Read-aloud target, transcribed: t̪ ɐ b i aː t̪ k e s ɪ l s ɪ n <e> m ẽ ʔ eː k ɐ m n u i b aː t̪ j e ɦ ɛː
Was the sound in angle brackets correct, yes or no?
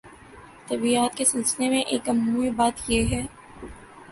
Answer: yes